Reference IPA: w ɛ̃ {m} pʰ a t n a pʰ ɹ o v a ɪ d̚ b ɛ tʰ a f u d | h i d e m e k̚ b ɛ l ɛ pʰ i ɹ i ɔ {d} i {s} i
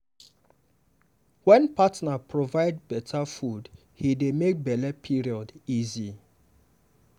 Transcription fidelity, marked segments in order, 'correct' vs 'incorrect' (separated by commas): incorrect, correct, incorrect